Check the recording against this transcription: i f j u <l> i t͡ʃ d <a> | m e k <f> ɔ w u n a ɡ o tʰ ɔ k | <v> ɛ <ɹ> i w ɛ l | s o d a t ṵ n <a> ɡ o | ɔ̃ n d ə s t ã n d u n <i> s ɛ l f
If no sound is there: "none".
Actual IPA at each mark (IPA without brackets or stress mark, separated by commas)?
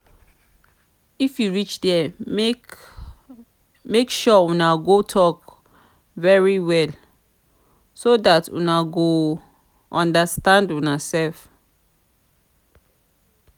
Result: ɹ, ɛ, ʃ, v, ɹ, a, a